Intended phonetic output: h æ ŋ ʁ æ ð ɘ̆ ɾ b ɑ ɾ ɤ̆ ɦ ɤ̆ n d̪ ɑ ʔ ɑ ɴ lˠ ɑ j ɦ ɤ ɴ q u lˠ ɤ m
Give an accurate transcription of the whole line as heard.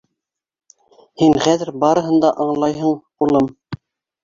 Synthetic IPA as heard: h i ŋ χ æ ð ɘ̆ ɾ b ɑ ɾ ɤ̆ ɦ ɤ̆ n d̪ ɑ ʔ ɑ ɴ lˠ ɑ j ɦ ɤ ɴ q u lˠ ɤ m